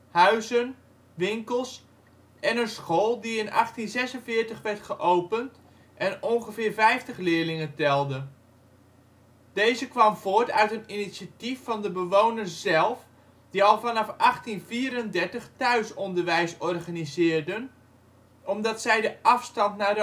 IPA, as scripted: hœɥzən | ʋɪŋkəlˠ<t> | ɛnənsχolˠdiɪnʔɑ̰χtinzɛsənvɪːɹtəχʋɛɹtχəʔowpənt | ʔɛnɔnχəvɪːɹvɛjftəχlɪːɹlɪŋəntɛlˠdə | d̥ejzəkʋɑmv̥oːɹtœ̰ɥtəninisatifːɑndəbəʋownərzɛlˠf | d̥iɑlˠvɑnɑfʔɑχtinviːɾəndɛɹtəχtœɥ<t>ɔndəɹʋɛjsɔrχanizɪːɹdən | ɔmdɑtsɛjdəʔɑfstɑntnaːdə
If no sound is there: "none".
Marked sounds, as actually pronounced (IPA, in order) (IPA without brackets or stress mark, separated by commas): s, s